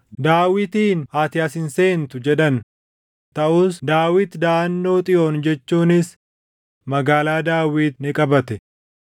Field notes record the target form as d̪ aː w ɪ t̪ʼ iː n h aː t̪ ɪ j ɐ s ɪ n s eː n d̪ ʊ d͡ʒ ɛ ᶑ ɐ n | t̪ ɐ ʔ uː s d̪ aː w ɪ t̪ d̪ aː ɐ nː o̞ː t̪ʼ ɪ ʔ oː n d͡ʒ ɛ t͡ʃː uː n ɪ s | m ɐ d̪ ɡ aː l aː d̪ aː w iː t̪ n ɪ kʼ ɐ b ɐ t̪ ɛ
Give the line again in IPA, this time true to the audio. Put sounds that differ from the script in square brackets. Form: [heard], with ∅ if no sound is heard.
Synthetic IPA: d̪ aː w ɪ [t̪] iː n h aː t̪ ɪ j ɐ s ɪ n s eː n [t̪] ʊ d͡ʒ ɛ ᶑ ɐ n | t̪ ɐ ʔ uː s d̪ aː w ɪ t̪ d̪ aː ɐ nː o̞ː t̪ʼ ɪ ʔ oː n d͡ʒ ɛ t͡ʃː uː n ɪ s | m ɐ [∅] ɡ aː l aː d̪ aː w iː t̪ n ɪ kʼ ɐ b ɐ t̪ ɛ